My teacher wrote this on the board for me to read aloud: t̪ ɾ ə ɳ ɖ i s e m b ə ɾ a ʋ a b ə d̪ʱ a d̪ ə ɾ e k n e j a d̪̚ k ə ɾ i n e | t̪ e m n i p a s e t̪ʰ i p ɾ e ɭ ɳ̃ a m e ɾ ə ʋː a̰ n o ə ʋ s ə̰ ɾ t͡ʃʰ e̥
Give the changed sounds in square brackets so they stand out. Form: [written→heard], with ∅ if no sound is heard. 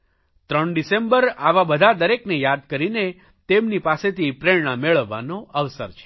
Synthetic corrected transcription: t̪ ɾ ə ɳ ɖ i s e m b ə ɾ a ʋ a b ə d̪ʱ a d̪ ə ɾ e k n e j a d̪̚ k ə ɾ i n e | t̪ e m n i p a s e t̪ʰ i p ɾ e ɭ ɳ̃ a m e [ɾ→ɭ] ə ʋː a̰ n o ə ʋ s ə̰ ɾ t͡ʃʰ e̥

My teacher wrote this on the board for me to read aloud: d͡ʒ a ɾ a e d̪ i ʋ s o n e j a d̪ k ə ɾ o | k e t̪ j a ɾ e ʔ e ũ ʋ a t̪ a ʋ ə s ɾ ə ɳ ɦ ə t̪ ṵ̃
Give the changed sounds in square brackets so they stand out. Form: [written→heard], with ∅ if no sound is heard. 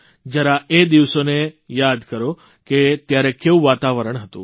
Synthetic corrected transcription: d͡ʒ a ɾ a e d̪ i ʋ s o n e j a d̪ k ə ɾ o | k e t̪ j a ɾ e [ʔ→k] e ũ ʋ a t̪ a ʋ ə [s→∅] ɾ ə ɳ ɦ ə t̪ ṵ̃

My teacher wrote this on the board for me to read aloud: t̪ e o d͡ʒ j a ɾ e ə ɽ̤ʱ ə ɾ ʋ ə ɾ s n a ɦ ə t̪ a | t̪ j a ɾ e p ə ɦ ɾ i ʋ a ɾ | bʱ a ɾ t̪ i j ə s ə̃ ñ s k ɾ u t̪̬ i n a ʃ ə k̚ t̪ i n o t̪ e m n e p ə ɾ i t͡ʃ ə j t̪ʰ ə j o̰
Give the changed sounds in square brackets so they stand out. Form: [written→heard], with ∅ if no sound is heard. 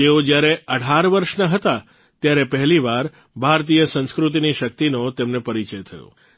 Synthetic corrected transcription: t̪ e o d͡ʒ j a ɾ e ə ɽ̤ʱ [ə→a] ɾ ʋ ə ɾ [s→ʃ] n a ɦ ə t̪ a | t̪ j a ɾ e p ə ɦ [ɾ→l] i ʋ a ɾ | bʱ a ɾ t̪ i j ə s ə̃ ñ s k ɾ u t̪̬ i n [a→i] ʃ ə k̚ t̪ i n o t̪ e m n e p ə ɾ i t͡ʃ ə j t̪ʰ ə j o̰

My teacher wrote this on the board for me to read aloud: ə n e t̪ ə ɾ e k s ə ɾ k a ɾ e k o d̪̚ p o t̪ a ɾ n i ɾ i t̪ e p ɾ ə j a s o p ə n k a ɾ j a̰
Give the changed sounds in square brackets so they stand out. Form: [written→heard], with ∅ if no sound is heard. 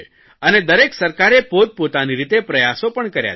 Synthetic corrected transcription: ə n e [t̪→d̪] ə ɾ e k s ə ɾ k a ɾ e [k→p] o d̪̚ p o t̪ a [ɾ→∅] n i ɾ i t̪ e p ɾ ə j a s o p ə [n→ɳ] k [a→ə] ɾ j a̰

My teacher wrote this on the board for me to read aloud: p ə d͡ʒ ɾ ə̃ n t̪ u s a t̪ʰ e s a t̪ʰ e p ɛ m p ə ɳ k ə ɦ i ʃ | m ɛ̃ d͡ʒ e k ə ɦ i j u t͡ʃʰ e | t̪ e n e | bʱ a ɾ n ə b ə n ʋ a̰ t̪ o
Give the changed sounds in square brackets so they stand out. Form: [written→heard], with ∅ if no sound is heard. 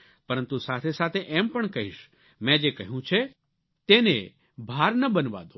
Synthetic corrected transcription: p ə [d͡ʒ→∅] ɾ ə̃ n t̪ u s a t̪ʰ e s a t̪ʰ e [p→ʔ] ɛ m p ə ɳ k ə ɦ i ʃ | m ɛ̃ d͡ʒ e k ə ɦ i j [u→ũ] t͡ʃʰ e | t̪ e n e | bʱ a ɾ n ə b ə n ʋ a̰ [t̪→d̪] o

